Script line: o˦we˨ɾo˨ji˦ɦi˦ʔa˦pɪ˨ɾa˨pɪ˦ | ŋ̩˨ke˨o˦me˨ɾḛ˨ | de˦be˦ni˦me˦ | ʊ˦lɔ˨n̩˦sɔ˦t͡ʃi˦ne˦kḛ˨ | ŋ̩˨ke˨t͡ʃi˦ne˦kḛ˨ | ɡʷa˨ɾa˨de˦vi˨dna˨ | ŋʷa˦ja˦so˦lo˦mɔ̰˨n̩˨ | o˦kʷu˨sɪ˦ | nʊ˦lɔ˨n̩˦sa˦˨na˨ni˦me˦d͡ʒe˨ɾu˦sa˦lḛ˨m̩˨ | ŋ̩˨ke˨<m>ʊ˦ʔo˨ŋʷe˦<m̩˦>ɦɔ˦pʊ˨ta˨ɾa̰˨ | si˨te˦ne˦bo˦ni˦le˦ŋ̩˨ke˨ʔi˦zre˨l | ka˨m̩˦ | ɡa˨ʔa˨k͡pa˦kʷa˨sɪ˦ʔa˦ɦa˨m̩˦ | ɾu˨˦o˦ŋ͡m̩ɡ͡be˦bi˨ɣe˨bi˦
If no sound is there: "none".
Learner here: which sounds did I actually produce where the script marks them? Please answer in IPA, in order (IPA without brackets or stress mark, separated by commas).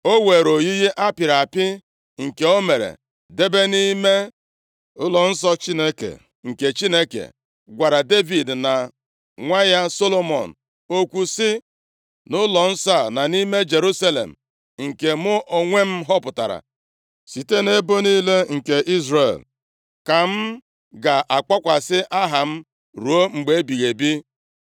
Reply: m, m̩˦